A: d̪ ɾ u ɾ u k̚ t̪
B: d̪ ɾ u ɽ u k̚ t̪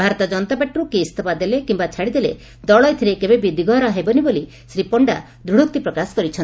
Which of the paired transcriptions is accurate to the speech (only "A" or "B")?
B